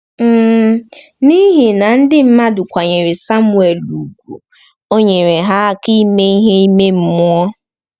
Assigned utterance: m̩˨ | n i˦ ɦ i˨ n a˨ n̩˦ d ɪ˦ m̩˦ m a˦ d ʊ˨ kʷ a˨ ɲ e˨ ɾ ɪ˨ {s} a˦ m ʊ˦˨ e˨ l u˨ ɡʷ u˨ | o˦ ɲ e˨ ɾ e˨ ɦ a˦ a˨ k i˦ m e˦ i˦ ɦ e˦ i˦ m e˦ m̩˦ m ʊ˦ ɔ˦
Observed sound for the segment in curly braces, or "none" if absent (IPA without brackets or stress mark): s